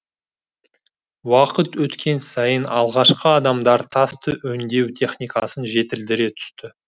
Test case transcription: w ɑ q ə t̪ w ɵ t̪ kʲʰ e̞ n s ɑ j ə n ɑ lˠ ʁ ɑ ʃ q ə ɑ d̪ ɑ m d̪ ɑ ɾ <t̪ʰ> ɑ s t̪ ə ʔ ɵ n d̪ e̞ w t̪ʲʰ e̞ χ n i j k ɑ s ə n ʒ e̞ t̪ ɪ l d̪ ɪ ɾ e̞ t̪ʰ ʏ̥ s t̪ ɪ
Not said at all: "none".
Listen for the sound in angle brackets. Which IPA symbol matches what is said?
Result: t̪ʰ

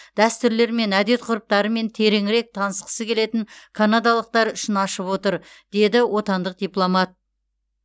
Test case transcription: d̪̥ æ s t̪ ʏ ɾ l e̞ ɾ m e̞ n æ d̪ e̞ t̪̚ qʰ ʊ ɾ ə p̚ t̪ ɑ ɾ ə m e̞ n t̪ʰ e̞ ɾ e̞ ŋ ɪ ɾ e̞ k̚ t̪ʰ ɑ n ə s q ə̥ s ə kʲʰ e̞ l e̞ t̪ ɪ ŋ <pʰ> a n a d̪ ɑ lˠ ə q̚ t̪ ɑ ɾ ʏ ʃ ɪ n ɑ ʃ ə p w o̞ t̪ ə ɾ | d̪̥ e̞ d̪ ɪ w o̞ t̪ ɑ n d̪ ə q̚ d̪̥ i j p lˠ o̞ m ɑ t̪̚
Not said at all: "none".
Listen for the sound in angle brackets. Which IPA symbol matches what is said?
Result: kʰ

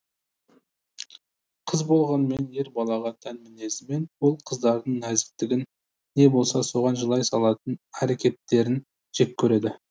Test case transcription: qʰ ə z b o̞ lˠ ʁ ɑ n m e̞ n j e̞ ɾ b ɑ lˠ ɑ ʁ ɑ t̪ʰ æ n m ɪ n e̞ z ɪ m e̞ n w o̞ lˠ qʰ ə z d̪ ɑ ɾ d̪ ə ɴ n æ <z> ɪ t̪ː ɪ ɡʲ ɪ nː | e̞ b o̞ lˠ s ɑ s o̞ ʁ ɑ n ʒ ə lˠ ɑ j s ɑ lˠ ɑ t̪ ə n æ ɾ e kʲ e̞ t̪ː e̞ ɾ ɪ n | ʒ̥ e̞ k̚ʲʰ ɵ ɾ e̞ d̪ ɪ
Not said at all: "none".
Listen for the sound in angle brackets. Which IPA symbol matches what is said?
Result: z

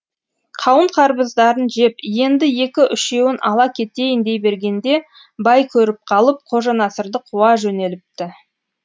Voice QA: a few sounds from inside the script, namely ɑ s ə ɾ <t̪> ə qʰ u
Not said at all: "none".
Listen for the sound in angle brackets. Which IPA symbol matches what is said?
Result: d̪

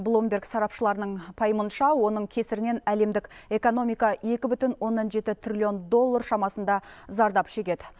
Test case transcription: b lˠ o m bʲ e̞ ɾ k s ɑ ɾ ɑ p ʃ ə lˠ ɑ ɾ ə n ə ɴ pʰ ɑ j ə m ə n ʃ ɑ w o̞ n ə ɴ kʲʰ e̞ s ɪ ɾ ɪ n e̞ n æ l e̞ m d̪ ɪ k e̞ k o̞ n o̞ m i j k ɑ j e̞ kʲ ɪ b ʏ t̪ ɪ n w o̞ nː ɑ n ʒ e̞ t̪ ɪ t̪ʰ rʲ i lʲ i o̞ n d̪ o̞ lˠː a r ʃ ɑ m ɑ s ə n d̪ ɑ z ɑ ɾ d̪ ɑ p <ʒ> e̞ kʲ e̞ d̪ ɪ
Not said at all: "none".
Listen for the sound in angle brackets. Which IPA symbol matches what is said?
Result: ʃ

